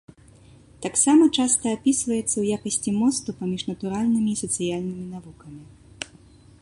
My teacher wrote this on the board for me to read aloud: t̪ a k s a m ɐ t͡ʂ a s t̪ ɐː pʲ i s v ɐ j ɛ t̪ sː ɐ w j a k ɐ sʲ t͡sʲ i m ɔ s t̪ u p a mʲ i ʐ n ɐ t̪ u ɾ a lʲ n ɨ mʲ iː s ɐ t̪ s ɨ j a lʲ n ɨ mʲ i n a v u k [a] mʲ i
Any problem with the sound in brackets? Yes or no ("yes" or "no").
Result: yes